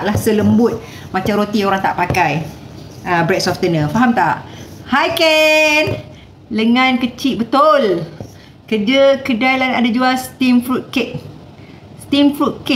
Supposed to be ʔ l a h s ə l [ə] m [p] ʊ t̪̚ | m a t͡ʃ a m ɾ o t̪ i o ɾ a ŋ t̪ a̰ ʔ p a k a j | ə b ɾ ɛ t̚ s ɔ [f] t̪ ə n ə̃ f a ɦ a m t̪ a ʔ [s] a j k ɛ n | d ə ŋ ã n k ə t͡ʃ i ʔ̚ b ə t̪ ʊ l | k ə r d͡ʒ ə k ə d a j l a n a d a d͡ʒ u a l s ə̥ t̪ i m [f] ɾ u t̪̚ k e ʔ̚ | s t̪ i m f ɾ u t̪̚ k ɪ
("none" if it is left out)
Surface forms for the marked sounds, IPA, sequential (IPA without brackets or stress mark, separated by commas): ə, b, f, h, f